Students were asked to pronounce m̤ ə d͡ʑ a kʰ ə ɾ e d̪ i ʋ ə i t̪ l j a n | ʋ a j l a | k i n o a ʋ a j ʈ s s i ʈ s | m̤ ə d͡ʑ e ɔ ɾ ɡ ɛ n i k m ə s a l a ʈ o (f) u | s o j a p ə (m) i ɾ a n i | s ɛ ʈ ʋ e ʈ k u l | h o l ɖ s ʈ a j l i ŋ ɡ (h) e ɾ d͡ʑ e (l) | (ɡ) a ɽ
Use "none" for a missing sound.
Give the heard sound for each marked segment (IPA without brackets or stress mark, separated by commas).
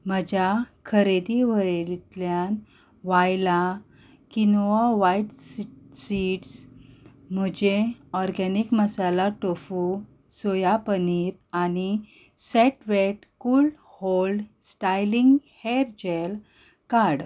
f, n, h, l, k